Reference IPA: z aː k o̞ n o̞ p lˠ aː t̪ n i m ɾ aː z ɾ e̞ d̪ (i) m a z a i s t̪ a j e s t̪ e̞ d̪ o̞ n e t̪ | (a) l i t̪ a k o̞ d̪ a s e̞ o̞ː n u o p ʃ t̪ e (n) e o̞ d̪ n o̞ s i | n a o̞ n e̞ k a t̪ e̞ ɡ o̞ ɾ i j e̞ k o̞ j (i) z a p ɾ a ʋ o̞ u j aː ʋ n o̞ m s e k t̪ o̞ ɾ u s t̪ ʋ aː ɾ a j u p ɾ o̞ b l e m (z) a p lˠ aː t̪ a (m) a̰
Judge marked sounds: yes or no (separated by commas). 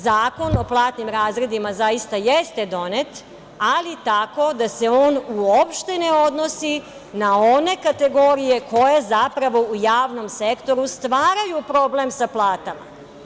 yes, yes, yes, no, no, yes